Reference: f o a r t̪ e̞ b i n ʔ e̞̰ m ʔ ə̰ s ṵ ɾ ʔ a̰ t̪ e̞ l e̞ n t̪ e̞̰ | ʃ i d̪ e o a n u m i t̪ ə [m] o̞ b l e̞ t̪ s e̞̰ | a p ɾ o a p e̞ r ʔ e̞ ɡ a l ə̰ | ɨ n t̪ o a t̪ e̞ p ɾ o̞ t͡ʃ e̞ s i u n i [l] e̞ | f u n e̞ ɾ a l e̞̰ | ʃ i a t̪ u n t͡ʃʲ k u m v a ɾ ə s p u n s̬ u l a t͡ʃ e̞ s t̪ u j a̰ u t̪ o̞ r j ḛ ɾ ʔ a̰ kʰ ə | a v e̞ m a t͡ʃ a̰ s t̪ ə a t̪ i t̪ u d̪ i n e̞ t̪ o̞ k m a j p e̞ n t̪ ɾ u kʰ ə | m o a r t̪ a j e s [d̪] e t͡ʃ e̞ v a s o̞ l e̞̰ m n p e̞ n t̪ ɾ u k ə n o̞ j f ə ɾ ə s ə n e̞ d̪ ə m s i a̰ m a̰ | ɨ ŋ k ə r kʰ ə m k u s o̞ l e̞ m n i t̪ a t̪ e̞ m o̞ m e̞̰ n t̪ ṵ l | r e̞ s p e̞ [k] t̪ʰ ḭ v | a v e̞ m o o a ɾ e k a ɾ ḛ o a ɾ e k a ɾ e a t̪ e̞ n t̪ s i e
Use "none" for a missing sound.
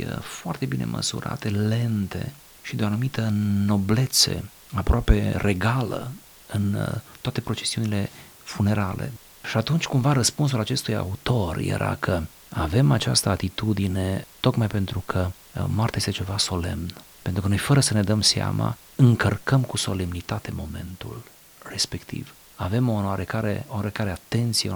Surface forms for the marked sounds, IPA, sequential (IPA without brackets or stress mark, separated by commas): n, l, t̪, k